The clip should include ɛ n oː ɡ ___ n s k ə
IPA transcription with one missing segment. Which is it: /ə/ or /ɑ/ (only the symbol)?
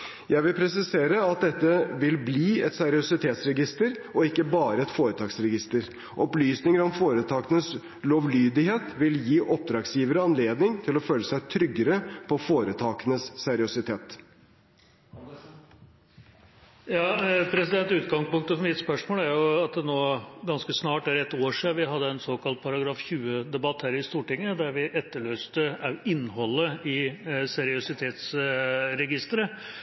ɑ